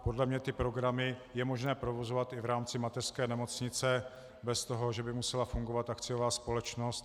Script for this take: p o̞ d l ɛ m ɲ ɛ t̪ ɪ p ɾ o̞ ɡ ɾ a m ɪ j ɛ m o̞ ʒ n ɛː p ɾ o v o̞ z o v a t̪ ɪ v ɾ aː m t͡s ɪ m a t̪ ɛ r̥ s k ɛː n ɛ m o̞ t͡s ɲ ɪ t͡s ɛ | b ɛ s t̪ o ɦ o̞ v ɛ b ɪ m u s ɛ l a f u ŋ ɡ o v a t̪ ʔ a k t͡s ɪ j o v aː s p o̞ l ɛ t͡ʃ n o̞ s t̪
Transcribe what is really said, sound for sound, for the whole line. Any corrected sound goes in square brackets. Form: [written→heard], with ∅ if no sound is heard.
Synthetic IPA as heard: p o̞ d l ɛ m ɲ ɛ t̪ ɪ p ɾ o̞ ɡ ɾ a m ɪ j ɛ m o̞ ʒ n ɛː p ɾ o v o̞ z o v a t̪ ɪ v ɾ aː m t͡s ɪ m a t̪ ɛ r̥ s k ɛː n ɛ m o̞ t͡s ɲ ɪ t͡s ɛ | b ɛ s t̪ o ɦ o̞ [v→ʒ] ɛ b ɪ m u s ɛ l a f u ŋ ɡ o v a t̪ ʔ a k t͡s ɪ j o v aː s p o̞ l ɛ t͡ʃ n o̞ s t̪